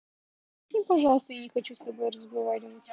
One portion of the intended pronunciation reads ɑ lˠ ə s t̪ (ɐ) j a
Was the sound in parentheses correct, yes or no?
no